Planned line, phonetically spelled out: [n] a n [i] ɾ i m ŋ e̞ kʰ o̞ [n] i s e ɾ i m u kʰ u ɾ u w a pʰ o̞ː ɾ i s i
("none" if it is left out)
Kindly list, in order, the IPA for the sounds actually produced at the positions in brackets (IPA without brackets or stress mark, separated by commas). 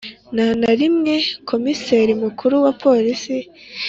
n, a, m